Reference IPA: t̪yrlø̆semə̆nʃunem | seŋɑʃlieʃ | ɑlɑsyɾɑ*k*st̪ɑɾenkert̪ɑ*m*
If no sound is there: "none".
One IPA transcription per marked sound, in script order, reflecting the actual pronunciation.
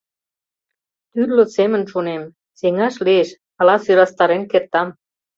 none, m

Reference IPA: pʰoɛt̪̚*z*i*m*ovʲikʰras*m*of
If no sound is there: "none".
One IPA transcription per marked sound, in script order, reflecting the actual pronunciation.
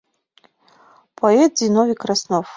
z, n, n

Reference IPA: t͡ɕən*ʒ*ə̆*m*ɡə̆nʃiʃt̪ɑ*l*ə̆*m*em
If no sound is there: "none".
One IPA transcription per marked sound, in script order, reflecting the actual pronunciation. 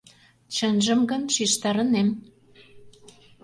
ʒ, m, ɾ, n

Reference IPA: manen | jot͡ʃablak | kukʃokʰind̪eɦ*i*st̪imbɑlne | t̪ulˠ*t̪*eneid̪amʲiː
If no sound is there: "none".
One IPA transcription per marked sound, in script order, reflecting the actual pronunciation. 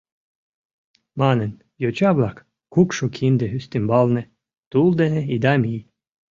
y, d̪

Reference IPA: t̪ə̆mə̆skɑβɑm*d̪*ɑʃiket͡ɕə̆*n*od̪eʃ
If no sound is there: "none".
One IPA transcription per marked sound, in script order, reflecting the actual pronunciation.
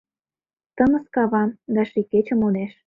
d̪, m

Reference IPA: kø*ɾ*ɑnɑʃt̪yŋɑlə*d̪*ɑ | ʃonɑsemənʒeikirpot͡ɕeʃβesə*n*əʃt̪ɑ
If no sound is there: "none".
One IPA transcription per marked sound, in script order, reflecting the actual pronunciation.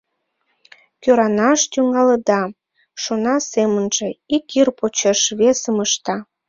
ɾ, d̪, m

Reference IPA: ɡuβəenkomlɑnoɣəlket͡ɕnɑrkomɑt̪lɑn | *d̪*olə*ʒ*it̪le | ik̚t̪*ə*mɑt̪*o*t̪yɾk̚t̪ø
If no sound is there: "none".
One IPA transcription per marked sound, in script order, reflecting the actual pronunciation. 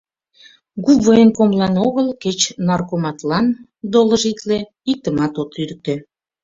d̪, ʒ, ə, o

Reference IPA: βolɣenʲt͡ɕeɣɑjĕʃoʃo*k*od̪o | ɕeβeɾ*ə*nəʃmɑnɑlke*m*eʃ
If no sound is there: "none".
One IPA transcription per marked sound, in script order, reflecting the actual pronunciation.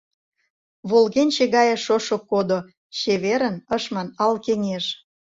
k, ə, ŋ

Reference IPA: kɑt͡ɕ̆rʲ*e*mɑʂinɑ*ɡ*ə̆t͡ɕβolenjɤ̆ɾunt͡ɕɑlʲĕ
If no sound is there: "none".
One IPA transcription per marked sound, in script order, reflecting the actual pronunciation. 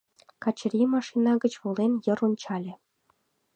i, ɡ

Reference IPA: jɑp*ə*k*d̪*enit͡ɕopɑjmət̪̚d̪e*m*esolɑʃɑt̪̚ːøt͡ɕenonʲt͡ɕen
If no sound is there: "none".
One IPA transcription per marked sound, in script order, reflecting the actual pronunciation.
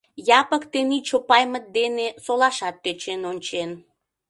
ə, t̪, n

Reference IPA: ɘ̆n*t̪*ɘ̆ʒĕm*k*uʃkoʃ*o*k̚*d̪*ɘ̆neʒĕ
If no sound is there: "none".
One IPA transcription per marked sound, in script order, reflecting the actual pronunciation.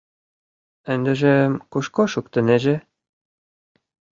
d̪, k, u, t̪

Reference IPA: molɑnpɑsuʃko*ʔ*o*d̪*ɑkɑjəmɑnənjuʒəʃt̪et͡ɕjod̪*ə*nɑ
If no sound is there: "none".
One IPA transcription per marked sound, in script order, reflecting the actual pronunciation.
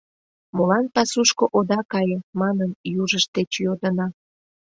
ʔ, d̪, ə

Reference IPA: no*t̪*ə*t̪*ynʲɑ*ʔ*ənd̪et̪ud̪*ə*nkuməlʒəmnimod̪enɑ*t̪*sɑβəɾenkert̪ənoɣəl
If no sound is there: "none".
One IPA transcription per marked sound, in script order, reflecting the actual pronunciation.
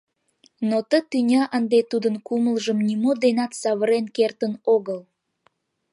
t̪, t̪, ʔ, ə, t̪

